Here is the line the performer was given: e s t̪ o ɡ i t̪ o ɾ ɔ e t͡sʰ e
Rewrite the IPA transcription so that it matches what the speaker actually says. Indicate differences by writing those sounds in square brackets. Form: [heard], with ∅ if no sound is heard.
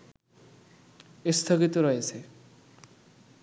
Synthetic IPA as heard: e s [t̪ʰ] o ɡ i t̪ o ɾ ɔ e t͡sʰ e